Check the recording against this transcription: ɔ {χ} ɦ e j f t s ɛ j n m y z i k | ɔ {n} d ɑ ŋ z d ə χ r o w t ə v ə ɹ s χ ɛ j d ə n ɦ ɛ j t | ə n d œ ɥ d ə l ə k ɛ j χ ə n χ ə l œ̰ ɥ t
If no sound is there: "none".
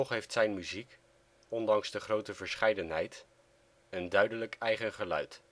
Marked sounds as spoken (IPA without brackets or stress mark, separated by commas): χ, n